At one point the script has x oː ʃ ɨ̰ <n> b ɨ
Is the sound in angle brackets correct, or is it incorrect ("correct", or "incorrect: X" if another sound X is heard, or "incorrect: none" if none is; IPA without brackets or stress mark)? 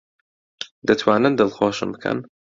incorrect: m